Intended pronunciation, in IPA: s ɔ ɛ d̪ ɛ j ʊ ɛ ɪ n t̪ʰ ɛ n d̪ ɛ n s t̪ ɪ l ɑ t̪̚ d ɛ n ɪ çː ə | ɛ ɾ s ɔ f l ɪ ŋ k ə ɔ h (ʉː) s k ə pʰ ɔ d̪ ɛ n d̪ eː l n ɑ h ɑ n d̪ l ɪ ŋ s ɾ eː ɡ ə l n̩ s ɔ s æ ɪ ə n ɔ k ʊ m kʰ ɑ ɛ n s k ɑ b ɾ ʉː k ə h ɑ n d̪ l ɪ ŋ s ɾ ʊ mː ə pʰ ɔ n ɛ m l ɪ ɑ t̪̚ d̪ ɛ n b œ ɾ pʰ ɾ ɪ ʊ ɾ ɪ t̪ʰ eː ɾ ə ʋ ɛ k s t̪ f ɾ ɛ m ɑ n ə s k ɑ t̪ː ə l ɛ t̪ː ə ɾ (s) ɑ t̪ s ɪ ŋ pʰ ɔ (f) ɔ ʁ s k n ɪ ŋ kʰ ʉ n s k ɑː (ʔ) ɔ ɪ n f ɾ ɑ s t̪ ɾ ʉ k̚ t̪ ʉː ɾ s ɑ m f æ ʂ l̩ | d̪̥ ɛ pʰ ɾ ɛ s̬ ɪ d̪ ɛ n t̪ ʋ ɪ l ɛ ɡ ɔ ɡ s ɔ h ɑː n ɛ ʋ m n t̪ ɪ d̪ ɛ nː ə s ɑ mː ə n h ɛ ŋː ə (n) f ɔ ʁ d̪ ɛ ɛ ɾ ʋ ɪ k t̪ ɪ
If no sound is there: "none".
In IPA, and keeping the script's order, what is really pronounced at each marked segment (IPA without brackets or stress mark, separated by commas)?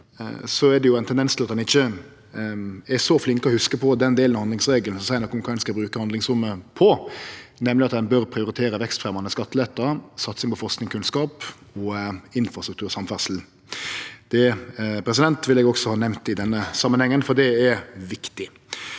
ʉ, s, f, p, n